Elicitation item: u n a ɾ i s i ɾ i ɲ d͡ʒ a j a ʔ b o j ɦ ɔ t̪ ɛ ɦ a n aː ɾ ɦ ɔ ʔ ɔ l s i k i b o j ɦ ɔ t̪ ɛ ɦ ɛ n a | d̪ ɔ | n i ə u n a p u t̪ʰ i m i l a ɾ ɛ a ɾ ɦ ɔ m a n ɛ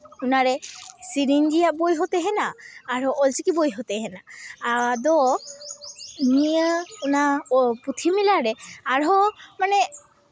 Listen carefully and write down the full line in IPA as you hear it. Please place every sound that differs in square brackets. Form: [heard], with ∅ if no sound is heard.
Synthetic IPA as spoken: u n a ɾ [ɛ] s i ɾ i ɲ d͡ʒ [i] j a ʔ b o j ɦ ɔ t̪ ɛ ɦ [ɛ] n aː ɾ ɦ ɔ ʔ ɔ l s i k i b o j ɦ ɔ t̪ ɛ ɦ ɛ n a | d̪ ɔ | n i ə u n a p u t̪ʰ i m i l a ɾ ɛ a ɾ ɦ ɔ m a n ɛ